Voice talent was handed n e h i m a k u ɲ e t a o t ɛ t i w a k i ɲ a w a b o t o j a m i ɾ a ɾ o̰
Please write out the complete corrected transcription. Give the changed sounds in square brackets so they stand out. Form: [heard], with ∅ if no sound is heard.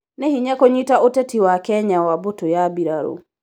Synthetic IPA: n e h i [ɲ] a k [o] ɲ [i] t a o t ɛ t i w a k [ɛ] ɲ a w a b o t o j a [b] i ɾ a ɾ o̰